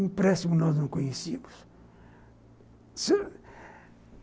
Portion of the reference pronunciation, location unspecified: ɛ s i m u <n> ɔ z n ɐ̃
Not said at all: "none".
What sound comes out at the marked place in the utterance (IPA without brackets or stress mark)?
n